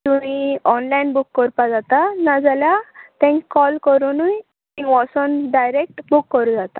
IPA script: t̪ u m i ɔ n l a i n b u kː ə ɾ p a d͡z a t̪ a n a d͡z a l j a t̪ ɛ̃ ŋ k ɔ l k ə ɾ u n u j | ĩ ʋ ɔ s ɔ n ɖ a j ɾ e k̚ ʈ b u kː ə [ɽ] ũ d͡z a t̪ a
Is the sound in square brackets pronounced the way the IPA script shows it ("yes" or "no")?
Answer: no